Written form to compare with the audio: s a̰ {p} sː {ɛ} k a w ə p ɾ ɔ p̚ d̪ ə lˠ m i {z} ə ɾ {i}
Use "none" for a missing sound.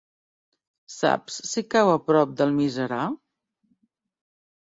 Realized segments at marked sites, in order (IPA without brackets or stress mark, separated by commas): p, i, z, a